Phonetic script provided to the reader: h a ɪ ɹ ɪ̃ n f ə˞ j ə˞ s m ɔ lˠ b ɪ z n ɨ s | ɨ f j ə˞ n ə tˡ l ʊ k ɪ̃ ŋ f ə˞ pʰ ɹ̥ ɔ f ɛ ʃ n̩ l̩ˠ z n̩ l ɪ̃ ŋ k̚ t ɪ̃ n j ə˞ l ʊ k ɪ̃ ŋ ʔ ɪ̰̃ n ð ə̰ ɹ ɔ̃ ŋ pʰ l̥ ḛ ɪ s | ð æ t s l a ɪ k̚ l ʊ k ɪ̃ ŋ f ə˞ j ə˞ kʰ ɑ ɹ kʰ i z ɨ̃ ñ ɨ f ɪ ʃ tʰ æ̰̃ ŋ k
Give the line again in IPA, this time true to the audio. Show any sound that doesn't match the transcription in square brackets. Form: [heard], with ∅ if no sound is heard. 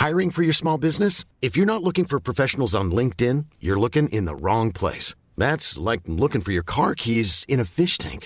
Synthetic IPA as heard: h a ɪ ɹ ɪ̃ [ŋ] f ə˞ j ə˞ s m ɔ lˠ b ɪ z n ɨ s | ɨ f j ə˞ n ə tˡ l ʊ k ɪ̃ ŋ f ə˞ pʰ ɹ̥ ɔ f ɛ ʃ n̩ l̩ˠ z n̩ l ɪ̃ ŋ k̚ t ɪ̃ n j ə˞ l ʊ k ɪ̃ ŋ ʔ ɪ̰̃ n ð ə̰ ɹ ɔ̃ ŋ pʰ l̥ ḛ ɪ s | ð æ t s l a ɪ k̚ l ʊ k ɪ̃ ŋ f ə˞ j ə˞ kʰ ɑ ɹ kʰ i z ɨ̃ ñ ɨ f ɪ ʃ tʰ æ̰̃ ŋ k